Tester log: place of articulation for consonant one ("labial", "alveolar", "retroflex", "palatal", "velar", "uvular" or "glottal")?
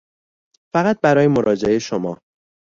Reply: labial